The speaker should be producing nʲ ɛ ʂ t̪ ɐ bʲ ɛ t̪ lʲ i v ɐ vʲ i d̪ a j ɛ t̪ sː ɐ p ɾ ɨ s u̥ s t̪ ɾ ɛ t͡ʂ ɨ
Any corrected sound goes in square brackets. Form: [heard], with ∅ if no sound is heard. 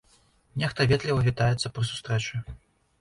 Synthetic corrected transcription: nʲ ɛ [x] t̪ ɐ [vʲ] ɛ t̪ lʲ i v ɐ vʲ i [t̪] a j ɛ t̪ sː ɐ p ɾ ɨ s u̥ s t̪ ɾ ɛ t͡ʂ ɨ